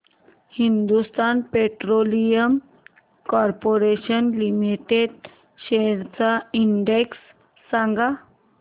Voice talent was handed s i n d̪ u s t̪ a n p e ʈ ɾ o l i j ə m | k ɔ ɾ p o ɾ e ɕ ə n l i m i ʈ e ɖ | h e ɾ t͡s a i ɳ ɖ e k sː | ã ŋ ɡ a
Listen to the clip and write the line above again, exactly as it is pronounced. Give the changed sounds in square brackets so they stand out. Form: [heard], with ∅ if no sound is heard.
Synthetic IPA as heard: [h] i n d̪ u s t̪ a n p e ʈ ɾ o l i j ə m | k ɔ ɾ p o ɾ e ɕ ə n l i m i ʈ e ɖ | [ɕ] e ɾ t͡s a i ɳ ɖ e k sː | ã ŋ ɡ a

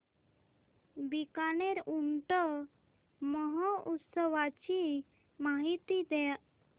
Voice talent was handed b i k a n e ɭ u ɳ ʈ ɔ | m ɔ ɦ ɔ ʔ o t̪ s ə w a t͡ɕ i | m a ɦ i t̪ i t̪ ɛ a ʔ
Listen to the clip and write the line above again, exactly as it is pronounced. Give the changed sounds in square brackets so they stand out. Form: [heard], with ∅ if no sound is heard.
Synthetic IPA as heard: b i k a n e [ɾ] u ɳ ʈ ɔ | m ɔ ɦ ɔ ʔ [u] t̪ s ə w a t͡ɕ i | m a ɦ i t̪ i [d̪] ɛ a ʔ

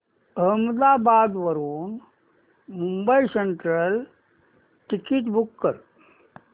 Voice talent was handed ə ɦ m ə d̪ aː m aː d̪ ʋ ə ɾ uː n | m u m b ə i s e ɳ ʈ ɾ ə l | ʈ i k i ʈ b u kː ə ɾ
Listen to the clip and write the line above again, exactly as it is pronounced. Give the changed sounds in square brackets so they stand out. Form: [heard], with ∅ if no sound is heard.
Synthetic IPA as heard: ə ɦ m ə d̪ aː [b] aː d̪ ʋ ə ɾ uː n | m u m b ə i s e ɳ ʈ ɾ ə l | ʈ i k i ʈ b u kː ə ɾ

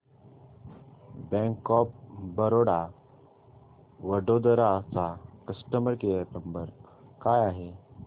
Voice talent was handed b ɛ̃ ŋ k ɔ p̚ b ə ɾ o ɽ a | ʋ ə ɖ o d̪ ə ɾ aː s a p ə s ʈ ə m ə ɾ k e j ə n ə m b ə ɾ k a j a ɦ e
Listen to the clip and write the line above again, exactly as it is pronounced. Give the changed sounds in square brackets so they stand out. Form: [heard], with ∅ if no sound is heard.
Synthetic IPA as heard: b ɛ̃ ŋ k ɔ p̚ b ə ɾ o ɽ a | ʋ ə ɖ o d̪ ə ɾ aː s a [k] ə s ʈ ə m ə ɾ k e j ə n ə m b ə ɾ k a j a ɦ e

